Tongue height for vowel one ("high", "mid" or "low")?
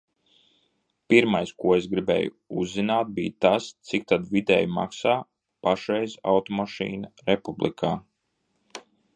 high